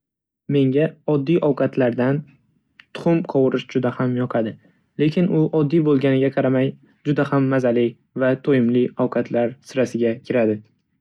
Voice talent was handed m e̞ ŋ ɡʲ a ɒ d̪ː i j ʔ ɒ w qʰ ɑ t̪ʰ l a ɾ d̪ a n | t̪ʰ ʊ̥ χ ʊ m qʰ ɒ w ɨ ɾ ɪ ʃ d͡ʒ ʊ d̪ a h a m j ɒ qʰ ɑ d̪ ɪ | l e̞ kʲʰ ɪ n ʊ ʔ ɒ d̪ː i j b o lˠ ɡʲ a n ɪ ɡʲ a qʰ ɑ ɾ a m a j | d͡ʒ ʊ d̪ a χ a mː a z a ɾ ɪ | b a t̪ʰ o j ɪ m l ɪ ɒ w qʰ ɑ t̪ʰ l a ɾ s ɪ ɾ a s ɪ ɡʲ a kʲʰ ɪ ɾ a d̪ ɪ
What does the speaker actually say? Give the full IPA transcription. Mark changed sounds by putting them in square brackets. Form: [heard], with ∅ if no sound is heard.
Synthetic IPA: m e̞ ŋ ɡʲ a ɒ d̪ː i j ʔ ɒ w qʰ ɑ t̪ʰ l a ɾ d̪ a n | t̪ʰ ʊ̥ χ ʊ m qʰ ɒ w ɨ ɾ ɪ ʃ d͡ʒ ʊ d̪ a h a m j ɒ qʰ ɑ d̪ ɪ | l e̞ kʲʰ ɪ n ʊ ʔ ɒ d̪ː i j b o lˠ ɡʲ a n ɪ ɡʲ a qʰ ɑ ɾ a m a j | d͡ʒ ʊ d̪ a [h] a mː a z a [l] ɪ | [v] a t̪ʰ o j ɪ m l ɪ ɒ w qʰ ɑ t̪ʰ l a ɾ s ɪ ɾ a s ɪ ɡʲ a kʲʰ ɪ ɾ a d̪ ɪ